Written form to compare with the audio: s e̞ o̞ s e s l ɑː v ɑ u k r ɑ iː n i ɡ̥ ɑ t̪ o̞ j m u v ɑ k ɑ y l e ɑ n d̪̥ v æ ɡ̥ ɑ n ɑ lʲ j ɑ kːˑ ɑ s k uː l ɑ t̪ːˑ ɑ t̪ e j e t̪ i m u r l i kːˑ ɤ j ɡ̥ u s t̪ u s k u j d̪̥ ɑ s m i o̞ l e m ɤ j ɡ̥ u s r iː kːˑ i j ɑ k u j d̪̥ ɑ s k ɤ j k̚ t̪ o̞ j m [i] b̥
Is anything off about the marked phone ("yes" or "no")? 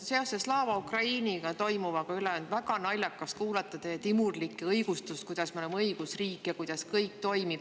no